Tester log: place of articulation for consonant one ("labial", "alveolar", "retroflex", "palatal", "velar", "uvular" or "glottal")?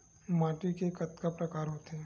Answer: labial